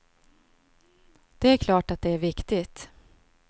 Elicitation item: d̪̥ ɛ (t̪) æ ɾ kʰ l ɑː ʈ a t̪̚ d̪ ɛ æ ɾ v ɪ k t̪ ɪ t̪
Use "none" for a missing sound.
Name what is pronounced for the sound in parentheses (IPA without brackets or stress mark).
none